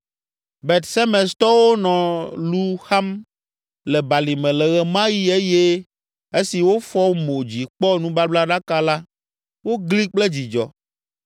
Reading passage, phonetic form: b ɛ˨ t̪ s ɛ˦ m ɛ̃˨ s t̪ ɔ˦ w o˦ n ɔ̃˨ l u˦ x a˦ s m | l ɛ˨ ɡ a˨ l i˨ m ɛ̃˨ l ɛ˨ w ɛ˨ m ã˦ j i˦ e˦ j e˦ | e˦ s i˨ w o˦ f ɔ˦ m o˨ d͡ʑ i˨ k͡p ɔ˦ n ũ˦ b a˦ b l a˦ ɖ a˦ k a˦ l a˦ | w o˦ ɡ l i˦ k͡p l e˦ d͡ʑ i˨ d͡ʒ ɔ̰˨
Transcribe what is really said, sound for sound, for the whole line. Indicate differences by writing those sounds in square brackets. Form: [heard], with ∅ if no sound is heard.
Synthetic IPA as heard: b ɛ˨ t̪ s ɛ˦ m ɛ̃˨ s t̪ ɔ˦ w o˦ n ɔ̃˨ l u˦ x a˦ [∅] m | l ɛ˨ [b] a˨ l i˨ m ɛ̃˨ l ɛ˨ [ɣ] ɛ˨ m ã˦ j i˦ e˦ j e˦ | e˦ s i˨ w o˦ f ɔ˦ m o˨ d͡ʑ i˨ k͡p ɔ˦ n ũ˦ b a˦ b l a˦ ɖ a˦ k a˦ l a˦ | w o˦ ɡ l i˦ k͡p l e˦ d͡ʑ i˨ d͡ʒ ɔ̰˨